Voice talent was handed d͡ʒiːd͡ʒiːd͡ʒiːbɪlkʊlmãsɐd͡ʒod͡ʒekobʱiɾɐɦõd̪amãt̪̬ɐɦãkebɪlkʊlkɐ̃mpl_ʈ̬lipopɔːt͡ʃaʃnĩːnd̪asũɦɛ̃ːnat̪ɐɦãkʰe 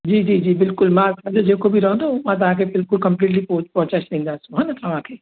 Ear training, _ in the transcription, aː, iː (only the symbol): iː